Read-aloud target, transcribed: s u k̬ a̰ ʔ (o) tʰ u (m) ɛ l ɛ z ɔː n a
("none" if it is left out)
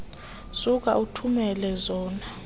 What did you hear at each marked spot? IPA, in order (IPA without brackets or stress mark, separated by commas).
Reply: u, m